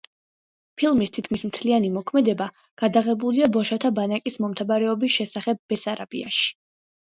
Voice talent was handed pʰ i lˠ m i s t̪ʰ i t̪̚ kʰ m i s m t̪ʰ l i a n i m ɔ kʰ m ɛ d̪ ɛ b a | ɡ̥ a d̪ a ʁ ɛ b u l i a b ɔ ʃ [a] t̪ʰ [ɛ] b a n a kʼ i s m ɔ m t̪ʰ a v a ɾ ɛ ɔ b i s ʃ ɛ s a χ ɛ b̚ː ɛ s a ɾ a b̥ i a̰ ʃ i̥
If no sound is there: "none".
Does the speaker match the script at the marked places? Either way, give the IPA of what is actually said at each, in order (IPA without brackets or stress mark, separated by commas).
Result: a, a